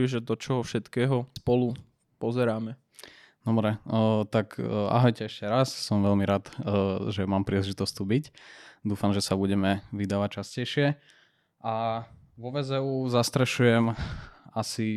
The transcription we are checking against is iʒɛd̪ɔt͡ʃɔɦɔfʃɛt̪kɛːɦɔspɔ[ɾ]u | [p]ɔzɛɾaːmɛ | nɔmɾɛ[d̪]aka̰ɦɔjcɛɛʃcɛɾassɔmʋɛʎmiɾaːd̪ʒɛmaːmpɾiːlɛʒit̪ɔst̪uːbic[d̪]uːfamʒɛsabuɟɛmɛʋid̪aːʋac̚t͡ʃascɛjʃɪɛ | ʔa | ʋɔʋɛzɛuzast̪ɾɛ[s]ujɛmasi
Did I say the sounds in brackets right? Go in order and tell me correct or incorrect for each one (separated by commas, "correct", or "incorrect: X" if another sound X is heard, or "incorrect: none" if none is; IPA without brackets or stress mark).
incorrect: l, correct, incorrect: t̪, correct, incorrect: ʃ